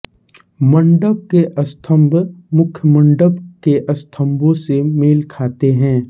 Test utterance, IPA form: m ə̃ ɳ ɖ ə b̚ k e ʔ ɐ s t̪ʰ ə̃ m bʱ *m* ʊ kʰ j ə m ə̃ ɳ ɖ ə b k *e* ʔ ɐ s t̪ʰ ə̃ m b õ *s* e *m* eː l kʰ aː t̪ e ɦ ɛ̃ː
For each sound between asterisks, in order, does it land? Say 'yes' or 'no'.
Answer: yes, yes, yes, yes

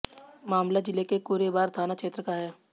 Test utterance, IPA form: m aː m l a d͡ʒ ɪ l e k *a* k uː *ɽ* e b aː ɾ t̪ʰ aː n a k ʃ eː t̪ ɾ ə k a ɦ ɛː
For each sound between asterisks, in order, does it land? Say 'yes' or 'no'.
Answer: no, no

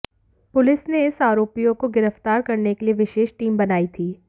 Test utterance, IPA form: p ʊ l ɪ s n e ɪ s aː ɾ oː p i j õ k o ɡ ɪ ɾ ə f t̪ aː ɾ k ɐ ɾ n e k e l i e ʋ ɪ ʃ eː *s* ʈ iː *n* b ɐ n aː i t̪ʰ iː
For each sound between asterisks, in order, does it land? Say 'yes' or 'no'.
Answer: no, no

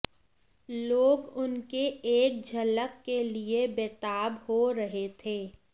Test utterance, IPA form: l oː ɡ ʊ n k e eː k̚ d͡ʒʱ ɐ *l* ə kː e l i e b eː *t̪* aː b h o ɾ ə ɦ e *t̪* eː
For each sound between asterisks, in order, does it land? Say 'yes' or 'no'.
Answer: yes, yes, no

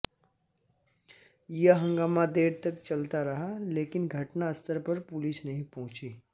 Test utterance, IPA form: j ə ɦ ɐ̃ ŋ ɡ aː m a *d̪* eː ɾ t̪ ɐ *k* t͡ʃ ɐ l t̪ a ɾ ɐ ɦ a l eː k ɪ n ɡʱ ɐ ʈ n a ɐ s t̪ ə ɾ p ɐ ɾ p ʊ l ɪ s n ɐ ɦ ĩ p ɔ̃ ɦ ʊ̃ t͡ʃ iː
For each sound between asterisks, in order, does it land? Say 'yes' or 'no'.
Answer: yes, yes

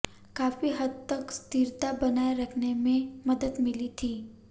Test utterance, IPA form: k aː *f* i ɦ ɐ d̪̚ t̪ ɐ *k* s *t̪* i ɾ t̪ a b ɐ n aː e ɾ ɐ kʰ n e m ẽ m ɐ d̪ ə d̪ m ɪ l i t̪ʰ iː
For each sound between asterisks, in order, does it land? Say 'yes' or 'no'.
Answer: yes, yes, yes

